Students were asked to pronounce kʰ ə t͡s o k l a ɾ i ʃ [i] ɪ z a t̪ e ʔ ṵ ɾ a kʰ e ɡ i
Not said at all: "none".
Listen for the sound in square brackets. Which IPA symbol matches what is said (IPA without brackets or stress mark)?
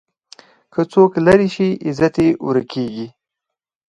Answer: i